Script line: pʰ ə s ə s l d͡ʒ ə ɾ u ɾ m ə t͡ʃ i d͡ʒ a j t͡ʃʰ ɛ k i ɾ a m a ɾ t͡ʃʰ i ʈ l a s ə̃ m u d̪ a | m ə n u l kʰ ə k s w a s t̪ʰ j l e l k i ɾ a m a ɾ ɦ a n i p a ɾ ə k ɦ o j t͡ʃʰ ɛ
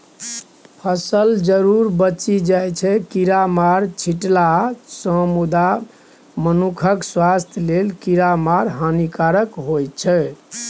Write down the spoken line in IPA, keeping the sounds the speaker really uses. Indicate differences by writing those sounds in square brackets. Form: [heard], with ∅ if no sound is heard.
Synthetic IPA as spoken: pʰ ə s ə [∅] l d͡ʒ ə ɾ u ɾ [b] ə t͡ʃ i d͡ʒ a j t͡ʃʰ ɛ k i ɾ a m a ɾ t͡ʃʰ i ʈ l a s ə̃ m u d̪ a | m ə n u [∅] kʰ ə k s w a s t̪ʰ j l e l k i ɾ a m a ɾ ɦ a n i [k] a ɾ ə k ɦ o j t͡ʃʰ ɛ